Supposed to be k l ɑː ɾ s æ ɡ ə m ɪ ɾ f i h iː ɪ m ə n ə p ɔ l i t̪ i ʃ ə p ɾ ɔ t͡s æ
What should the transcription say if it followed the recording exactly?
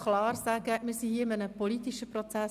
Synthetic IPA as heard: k l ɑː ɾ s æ ɡ ə m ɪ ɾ s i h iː ɪ m ə n ə p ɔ l i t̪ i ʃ ə p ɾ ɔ t͡s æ